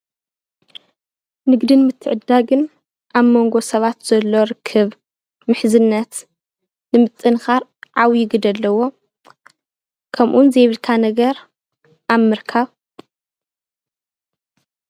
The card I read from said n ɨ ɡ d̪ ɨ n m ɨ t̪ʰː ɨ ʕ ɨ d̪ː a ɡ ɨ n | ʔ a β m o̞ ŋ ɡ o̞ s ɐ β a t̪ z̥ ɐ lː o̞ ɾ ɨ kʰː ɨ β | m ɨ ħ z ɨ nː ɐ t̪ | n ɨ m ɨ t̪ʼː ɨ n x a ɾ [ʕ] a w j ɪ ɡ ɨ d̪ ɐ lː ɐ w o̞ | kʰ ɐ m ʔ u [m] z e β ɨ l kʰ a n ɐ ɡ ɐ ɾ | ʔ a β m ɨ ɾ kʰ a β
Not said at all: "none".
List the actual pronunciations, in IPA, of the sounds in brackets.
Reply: ʕ, n

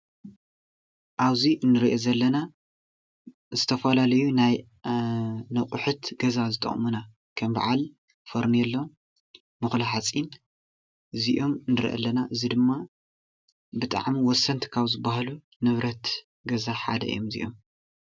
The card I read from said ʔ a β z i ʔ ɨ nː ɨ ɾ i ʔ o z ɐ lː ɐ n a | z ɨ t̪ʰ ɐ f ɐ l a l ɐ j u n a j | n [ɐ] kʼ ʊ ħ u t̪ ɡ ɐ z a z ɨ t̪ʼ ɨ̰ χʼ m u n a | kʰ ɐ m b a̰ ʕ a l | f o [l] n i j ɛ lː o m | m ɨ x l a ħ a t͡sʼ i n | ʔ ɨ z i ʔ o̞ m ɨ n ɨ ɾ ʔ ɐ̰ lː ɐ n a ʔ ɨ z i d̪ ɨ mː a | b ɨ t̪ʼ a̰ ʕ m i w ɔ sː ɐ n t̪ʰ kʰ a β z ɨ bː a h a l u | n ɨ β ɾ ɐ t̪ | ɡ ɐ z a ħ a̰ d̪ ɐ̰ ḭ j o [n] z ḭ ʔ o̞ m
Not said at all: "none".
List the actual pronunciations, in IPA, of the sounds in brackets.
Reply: ɐ, ɾ, m

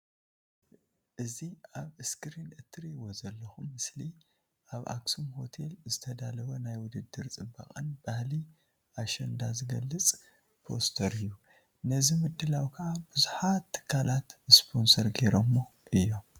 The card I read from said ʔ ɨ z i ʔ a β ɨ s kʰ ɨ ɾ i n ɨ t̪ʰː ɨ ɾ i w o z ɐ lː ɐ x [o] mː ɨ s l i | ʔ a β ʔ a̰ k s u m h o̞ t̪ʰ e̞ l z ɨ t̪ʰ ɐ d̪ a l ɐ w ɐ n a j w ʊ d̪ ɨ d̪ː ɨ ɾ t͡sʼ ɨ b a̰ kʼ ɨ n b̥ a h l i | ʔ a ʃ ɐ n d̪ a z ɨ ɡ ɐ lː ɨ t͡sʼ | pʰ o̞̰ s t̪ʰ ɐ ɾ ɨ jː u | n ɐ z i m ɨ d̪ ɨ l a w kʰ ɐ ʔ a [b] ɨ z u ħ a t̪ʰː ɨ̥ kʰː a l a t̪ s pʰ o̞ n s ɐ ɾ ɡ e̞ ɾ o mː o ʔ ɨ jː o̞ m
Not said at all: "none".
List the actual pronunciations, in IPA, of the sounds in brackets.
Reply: u, b

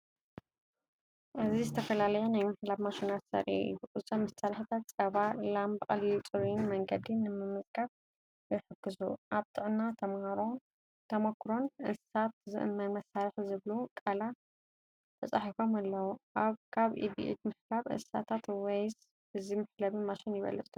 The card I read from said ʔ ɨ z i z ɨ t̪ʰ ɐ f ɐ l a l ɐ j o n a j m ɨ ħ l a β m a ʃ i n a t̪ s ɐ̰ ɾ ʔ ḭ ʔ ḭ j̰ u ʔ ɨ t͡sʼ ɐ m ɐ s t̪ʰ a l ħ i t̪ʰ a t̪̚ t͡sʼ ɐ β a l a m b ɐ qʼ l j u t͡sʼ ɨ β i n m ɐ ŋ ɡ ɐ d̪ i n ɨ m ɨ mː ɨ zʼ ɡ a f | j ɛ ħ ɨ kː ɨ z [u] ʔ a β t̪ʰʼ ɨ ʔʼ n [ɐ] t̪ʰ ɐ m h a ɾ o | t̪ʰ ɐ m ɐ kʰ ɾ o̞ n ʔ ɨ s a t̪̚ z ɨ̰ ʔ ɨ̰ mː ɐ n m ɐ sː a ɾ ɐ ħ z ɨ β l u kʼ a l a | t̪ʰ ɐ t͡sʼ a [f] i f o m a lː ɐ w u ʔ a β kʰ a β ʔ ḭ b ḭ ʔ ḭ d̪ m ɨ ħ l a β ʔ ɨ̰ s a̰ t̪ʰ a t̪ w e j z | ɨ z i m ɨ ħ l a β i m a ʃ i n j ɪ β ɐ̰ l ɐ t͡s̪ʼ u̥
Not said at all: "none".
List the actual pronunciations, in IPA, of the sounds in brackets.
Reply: u, a, ħ

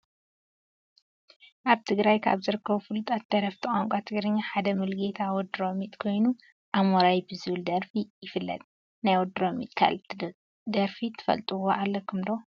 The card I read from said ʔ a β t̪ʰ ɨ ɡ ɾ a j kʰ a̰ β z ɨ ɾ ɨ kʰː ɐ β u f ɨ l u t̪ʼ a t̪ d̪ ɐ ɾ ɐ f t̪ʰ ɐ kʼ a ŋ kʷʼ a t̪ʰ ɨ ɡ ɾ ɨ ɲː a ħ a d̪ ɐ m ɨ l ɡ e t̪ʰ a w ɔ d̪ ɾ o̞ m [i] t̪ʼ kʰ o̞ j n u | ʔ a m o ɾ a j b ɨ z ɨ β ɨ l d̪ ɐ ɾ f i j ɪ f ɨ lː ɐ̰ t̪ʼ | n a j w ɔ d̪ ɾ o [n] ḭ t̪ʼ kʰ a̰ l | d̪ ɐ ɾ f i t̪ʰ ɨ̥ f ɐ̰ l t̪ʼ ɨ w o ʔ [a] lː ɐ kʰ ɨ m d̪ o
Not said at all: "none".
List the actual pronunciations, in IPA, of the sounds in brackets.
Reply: i, m, a

